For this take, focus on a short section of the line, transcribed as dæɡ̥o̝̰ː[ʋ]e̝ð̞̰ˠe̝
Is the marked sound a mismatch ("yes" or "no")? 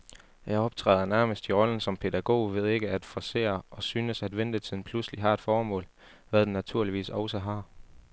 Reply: no